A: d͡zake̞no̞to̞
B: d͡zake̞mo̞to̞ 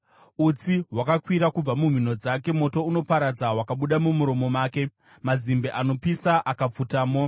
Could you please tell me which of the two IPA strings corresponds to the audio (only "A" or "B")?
B